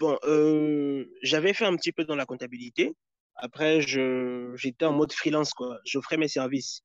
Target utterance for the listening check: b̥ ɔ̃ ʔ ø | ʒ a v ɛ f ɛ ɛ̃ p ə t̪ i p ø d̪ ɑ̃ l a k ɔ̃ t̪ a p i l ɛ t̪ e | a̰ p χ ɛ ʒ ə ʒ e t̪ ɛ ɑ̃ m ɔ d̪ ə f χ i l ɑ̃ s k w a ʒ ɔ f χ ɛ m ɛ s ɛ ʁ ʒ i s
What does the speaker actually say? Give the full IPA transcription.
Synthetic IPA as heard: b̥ ɔ̃ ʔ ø | ʒ a v ɛ f ɛ ɛ̃ p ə t̪ i p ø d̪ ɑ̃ l a k ɔ̃ t̪ a b i l i t̪ e | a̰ p χ ɛ ʒ ə ʒ e t̪ ɛ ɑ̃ m ɔ d̪ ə f χ i l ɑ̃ s k w a ʒ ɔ f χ ɛ m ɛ s ɛ ʁ v i s